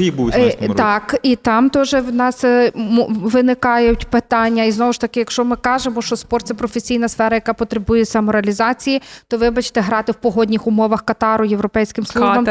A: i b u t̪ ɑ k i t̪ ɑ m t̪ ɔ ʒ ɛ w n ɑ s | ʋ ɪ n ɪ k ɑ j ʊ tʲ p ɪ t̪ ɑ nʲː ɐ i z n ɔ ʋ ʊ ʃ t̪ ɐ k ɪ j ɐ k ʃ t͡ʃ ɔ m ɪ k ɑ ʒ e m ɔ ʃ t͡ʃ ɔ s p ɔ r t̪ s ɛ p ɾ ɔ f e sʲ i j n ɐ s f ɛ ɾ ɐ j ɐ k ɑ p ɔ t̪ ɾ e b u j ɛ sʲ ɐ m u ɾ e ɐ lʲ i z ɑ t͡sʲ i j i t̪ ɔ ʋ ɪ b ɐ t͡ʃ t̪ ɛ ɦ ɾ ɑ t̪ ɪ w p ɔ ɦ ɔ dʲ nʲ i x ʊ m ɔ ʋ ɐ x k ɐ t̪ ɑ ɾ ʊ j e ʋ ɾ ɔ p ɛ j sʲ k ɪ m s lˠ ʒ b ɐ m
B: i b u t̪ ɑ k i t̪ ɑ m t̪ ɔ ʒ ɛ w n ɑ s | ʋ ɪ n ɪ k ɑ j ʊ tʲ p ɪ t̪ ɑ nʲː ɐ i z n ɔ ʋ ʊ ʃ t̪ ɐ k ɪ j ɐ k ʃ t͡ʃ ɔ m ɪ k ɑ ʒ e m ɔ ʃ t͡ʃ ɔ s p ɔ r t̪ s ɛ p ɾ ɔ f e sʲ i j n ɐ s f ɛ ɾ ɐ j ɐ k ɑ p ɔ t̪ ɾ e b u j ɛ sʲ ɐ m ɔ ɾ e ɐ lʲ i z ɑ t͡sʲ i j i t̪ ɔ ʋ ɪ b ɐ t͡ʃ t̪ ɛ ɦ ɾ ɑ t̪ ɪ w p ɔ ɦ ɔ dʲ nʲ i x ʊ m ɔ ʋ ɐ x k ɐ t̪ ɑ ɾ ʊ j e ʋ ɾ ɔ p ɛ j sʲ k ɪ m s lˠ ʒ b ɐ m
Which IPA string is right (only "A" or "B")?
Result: B